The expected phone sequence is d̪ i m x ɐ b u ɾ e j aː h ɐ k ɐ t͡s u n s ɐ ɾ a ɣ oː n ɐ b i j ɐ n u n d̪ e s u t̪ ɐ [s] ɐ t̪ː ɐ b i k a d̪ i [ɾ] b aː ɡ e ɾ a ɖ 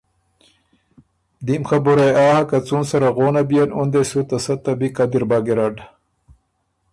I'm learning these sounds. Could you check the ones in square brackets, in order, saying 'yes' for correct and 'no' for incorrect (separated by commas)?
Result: yes, yes